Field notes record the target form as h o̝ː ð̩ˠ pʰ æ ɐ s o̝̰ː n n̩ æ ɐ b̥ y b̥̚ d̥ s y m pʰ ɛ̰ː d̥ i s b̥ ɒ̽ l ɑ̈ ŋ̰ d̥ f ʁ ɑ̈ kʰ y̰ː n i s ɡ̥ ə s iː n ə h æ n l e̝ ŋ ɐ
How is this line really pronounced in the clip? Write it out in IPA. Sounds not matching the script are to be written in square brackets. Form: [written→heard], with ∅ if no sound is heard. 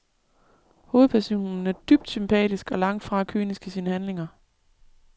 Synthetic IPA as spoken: h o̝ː ð̩ˠ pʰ æ ɐ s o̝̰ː n n̩ æ ɐ [b̥→d̥] y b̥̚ d̥ s y m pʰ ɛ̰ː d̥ i s [b̥→ɡ̥] ɒ̽ l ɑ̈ ŋ̰ d̥ f ʁ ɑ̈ kʰ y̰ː n i s ɡ̥ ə s iː n ə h æ n l e̝ ŋ ɐ